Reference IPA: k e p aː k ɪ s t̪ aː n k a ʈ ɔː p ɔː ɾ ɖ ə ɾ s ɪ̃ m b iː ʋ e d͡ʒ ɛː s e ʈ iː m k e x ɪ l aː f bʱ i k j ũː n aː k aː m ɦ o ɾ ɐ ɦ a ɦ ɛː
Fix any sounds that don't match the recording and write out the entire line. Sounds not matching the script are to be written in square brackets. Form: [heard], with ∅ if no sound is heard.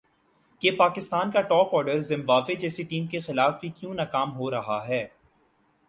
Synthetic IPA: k e p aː k ɪ s t̪ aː n k a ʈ ɔː p ɔː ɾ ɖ ə ɾ [z] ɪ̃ m b [aː] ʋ e d͡ʒ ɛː s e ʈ iː m k e x ɪ l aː f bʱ i k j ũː n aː k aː m ɦ o ɾ ɐ ɦ a ɦ ɛː